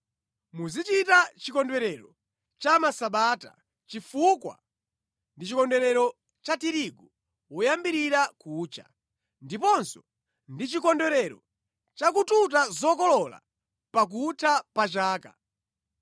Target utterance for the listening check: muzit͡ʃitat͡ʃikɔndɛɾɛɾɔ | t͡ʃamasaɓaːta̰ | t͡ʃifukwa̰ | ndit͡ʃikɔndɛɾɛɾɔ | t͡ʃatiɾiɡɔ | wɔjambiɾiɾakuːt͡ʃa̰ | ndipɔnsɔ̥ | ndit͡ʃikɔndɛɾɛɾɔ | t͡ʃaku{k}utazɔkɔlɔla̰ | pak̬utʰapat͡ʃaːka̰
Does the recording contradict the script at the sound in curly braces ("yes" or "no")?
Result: yes